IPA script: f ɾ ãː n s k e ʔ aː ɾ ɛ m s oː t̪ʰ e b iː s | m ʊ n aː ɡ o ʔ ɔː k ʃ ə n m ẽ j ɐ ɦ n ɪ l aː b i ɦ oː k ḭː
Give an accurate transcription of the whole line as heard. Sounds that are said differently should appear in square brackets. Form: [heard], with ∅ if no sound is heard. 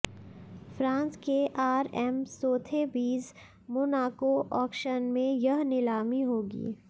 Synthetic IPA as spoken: f ɾ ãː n s k e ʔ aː ɾ ɛ m s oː t̪ʰ e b iː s | m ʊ n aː [k] o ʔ ɔː k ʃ ə n m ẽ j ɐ ɦ n ɪ l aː [m] i ɦ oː [ɡ] ḭː